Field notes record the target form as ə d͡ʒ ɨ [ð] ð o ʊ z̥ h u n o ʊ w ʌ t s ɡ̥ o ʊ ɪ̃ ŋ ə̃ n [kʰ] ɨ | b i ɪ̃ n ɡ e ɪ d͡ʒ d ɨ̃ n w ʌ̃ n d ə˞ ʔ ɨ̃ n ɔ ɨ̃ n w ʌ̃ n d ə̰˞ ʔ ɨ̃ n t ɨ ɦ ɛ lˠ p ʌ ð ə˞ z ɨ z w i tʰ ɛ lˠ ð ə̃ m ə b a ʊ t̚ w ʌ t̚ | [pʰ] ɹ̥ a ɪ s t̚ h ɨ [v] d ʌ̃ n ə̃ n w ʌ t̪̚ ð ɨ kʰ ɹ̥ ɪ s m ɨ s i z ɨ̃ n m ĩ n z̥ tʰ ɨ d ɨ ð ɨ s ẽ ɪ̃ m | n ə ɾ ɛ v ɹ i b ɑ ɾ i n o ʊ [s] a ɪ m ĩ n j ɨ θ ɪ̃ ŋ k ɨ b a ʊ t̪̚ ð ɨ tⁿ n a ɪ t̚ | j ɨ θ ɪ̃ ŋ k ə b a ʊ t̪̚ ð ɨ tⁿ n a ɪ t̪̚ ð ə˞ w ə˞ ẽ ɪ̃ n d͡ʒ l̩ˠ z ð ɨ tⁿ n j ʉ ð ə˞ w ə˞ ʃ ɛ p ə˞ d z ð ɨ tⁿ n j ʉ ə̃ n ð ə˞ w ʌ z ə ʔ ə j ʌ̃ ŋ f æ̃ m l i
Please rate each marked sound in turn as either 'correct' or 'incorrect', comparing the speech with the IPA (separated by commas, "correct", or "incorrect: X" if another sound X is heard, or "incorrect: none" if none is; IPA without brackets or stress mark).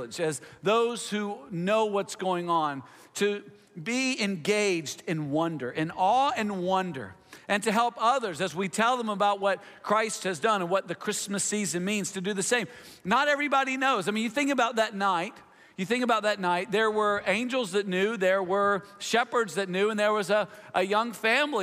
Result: incorrect: z, incorrect: tʰ, incorrect: kʰ, incorrect: z, incorrect: z